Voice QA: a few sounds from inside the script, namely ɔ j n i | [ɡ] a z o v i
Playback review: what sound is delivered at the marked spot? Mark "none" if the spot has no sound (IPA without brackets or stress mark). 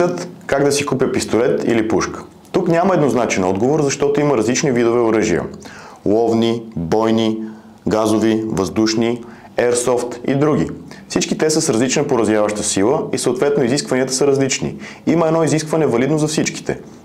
ɡ